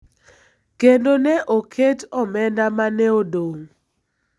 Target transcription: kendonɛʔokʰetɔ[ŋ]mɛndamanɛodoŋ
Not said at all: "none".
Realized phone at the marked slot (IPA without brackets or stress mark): none